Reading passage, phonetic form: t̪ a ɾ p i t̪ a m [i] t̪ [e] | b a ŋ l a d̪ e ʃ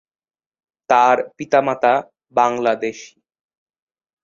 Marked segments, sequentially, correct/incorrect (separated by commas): incorrect, incorrect